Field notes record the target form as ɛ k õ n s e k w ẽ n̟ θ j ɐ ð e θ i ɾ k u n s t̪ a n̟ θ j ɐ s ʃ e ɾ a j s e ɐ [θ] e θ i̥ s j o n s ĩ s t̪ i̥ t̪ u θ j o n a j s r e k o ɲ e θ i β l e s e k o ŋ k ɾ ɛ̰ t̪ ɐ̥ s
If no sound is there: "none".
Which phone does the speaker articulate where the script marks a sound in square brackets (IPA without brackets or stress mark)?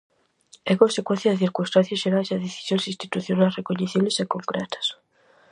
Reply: ð